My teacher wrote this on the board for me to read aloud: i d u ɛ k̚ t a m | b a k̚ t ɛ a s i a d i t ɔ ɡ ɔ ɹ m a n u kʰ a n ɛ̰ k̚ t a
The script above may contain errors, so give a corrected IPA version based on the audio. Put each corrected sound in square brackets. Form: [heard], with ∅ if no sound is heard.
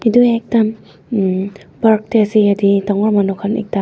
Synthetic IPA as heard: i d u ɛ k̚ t a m | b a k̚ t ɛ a s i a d i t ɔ [ŋ] ɔ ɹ m a n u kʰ a n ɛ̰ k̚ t a